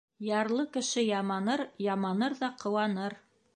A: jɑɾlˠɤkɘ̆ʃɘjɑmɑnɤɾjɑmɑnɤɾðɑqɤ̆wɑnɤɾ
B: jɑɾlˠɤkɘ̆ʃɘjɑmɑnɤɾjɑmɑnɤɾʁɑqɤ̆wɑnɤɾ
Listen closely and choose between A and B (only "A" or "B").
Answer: A